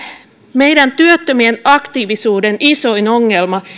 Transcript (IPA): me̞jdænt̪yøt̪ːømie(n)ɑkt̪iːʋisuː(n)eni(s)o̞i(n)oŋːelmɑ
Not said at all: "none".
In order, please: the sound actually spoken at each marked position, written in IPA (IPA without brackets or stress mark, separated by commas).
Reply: n, d, s, n